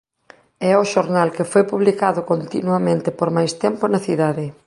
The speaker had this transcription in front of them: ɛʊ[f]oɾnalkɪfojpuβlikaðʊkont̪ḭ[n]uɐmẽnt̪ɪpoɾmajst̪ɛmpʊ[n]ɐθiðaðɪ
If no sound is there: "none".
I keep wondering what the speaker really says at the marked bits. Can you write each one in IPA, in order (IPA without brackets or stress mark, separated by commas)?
ʃ, n, n